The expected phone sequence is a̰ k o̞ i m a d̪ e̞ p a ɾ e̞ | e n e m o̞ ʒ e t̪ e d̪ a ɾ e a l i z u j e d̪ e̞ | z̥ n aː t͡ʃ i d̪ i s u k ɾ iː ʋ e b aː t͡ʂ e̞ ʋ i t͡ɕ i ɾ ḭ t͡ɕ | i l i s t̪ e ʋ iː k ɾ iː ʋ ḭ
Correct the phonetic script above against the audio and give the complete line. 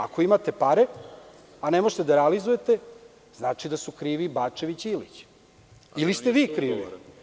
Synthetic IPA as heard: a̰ k o̞ i m a t̪ e̞ p a ɾ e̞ | a n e m o̞ ʒ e t̪ e d̪ a ɾ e a l i z u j e t̪ e̞ | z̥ n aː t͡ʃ i d̪ a s u k ɾ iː ʋ i b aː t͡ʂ e̞ ʋ i t͡ɕ i l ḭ t͡ɕ | i l i s t̪ e ʋ iː k ɾ iː ʋ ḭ